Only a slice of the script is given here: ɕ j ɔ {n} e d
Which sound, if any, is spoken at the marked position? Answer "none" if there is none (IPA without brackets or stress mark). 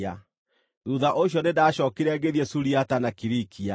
n